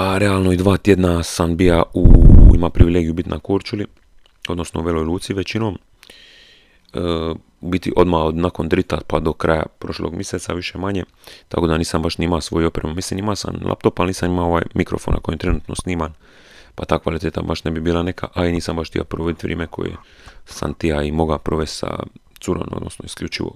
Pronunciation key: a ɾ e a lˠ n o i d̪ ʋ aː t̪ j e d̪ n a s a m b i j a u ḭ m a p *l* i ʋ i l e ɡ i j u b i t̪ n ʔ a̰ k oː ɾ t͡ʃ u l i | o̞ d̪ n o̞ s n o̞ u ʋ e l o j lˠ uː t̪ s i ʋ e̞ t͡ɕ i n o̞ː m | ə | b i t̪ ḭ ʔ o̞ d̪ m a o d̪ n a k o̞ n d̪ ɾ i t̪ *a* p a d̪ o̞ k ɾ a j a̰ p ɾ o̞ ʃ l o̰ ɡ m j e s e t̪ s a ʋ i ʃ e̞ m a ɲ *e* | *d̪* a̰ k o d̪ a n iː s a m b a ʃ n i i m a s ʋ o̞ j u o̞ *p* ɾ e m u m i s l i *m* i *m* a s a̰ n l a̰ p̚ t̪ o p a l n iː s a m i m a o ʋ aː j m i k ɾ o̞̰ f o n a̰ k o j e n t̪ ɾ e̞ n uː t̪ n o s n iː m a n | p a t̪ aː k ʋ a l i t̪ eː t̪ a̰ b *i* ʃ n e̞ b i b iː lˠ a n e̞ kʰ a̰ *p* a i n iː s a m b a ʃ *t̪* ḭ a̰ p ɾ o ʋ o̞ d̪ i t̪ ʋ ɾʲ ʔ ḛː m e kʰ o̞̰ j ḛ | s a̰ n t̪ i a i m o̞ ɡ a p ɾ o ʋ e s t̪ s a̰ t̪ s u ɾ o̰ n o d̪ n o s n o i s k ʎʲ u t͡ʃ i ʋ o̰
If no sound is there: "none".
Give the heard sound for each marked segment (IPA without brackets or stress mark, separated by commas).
ɾ, a, e, t̪, p, n, m, a, ʔ, t̪